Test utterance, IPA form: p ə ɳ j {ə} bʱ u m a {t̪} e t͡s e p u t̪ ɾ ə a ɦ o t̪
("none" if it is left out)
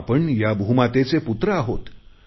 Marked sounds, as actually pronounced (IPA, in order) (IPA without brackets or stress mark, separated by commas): a, t̪